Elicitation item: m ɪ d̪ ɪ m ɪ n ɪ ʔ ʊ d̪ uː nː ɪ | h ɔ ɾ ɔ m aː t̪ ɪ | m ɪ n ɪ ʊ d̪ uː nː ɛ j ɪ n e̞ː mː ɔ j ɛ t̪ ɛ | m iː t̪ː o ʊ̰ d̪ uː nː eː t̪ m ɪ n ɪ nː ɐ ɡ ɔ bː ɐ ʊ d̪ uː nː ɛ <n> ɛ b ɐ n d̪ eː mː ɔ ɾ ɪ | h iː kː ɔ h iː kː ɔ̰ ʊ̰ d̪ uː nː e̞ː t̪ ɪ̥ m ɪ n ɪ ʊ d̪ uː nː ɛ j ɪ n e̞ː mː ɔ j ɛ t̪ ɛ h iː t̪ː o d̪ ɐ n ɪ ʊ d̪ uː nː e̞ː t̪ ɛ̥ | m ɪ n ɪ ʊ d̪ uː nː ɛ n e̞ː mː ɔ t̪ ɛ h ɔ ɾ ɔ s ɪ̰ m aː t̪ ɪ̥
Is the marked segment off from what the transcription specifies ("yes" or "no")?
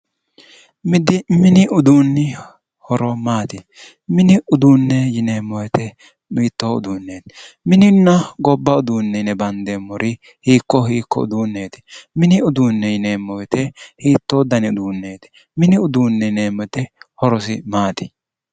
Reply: no